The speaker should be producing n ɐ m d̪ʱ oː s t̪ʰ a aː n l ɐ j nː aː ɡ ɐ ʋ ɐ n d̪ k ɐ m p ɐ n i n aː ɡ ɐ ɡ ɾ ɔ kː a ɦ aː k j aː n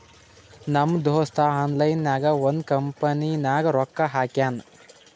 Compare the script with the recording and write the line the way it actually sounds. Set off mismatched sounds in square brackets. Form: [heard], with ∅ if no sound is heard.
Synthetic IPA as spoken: n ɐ m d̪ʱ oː s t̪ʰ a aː n l ɐ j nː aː ɡ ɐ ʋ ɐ n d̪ k ɐ m p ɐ n i n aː ɡ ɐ [∅] ɾ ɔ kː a ɦ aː k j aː n